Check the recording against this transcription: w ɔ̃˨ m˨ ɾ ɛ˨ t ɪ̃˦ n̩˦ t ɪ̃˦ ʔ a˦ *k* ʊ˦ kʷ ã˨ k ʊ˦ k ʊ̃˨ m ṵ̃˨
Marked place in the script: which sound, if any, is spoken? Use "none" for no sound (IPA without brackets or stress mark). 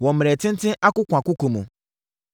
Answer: k